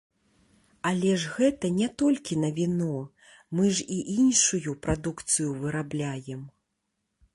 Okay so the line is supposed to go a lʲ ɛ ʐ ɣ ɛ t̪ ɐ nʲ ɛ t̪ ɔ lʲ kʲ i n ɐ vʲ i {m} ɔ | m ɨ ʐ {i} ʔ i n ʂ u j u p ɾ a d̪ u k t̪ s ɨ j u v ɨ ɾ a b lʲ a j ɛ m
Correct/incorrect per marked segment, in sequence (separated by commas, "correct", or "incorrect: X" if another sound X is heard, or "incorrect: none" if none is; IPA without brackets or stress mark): incorrect: n, correct